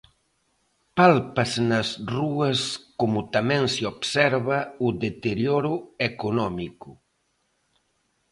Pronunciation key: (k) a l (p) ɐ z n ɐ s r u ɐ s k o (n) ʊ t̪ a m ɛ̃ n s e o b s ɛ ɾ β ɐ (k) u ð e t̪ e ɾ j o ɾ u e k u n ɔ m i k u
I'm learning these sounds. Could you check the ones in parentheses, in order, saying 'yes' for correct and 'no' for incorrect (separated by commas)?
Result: no, yes, no, no